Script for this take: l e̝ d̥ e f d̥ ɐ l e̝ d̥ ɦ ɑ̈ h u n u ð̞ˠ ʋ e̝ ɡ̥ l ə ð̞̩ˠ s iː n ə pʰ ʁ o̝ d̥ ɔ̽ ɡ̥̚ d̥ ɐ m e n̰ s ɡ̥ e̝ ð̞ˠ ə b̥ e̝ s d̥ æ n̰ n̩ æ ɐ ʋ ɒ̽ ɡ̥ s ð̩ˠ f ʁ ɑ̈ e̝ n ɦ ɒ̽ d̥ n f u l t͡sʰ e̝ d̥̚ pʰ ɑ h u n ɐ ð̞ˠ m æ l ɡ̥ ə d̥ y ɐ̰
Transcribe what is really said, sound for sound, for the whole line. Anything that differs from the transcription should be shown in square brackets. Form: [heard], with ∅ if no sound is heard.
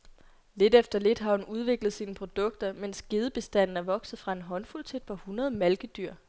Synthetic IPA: l e̝ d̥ e f d̥ ɐ l e̝ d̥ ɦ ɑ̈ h u n u ð̞ˠ ʋ e̝ ɡ̥ l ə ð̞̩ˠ s iː n ə pʰ ʁ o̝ d̥ ɔ̽ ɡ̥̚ d̥ ɐ m e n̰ s ɡ̥ e̝ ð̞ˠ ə b̥ e̝ s d̥ æ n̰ n̩ æ ɐ ʋ ɒ̽ ɡ̥ s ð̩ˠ f ʁ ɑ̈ e̝ n ɦ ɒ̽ [∅] n f u l t͡sʰ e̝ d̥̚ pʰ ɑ h u n ɐ ð̞ˠ m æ l ɡ̥ ə d̥ y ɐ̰